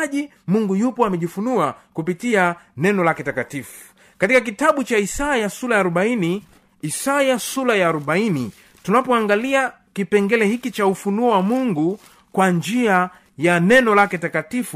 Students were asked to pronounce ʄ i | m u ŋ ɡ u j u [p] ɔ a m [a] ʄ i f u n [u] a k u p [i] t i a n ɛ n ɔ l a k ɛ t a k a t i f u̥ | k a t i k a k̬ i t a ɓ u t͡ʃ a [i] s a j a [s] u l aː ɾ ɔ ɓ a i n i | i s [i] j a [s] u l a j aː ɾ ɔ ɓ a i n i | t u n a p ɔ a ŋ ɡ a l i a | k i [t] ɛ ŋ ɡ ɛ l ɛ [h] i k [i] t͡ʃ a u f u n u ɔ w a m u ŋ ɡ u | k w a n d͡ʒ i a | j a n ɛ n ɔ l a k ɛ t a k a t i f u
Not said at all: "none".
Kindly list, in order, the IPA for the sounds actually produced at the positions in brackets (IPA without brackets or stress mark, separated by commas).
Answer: p, ɛ, u, i, i, s, a, s, p, h, i